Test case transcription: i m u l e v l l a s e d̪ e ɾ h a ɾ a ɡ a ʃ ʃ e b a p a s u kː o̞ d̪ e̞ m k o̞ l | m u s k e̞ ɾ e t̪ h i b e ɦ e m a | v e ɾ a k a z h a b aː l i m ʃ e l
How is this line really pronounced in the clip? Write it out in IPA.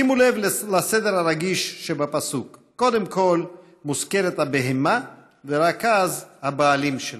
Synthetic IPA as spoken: i m u l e v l l a s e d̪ e ɾ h a ɾ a ɡ i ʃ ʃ e b a p a s u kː o̞ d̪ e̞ m k o̞ l | m u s k e̞ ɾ e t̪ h a b e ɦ e m a | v e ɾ a k a z h a b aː l i m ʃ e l

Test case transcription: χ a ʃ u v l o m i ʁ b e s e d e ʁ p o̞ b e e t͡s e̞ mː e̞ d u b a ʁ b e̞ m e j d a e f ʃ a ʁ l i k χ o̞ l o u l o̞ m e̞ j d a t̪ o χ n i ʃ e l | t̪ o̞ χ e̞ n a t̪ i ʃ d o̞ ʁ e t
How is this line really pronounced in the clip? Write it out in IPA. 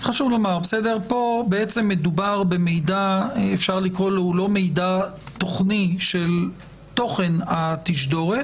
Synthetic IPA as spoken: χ a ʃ u v l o m a ʁ b e s e d e ʁ p o̞ b e e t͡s e̞ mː e̞ d u b a ʁ b e̞ m e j d a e f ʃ a ʁ l i k ʁ o̞ l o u l o̞ m e̞ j d a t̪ o χ n i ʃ e l | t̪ o̞ χ e̞ n a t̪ i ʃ d o̞ ʁ e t

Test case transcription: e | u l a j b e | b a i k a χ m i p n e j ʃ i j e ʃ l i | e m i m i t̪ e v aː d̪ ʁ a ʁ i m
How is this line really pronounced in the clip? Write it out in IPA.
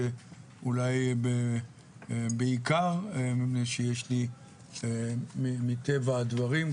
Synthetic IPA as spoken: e | u l a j b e | b e i k a ʁ m i p n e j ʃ e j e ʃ l i | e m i m i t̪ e v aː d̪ v a ʁ i m

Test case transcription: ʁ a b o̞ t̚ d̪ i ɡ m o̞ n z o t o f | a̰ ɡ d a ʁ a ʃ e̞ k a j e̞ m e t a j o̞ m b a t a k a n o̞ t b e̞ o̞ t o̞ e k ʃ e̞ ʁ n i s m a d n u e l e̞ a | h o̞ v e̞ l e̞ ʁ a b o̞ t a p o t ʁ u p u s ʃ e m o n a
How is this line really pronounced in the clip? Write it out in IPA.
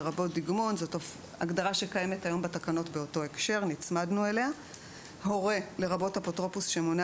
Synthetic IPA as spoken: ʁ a b o̞ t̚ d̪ i ɡ m o̞ n z o t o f | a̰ ɡ d a ʁ a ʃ e̞ k a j e̞ m e t a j o̞ m b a t a k a n o̞ t b e̞ o̞ t o̞ e k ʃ e̞ ʁ n i t͡s m a d n u e l e̞ a | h o̞ ʁ e̞ l e̞ ʁ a b o̞ t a p o t ʁ o p u s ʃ e m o n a

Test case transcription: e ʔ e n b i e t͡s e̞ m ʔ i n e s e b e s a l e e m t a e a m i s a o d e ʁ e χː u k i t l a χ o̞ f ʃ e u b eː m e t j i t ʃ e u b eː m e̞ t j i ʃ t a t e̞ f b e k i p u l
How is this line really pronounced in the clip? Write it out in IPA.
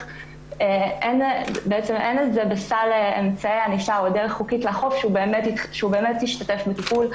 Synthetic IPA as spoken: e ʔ e n b e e t͡s e̞ m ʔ e n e z e b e s a l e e m t͡s a e a n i ʃ a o d e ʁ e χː u k i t l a χ o̞ f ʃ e u b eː m e t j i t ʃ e u b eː m e̞ t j i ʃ t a t e̞ f b e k i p u l

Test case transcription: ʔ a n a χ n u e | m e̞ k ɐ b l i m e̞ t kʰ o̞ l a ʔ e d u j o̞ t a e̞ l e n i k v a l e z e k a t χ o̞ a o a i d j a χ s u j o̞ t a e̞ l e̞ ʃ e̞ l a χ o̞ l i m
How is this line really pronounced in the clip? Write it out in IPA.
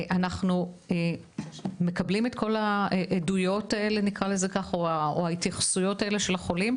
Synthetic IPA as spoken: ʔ a n a χ n u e | m e̞ k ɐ b l i m e̞ t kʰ o̞ l a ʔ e d u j o̞ t a e̞ l e n i k ʁ a l e z e k a χ o̞ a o a i t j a χ s u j o̞ t a e̞ l e̞ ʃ e̞ l a χ o̞ l i m

